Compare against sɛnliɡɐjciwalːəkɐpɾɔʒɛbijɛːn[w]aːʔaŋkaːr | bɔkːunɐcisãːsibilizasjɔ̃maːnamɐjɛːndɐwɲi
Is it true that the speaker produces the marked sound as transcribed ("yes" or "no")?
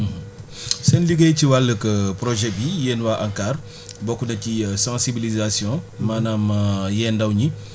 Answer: yes